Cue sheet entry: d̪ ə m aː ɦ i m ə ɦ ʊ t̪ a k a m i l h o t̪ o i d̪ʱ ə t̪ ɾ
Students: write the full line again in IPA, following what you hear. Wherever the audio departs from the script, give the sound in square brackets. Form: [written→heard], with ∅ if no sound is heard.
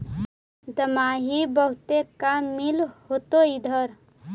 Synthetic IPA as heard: d̪ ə m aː ɦ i [m→b] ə ɦ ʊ t̪ [a→e] k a m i l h o t̪ o i d̪ʱ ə [t̪→∅] ɾ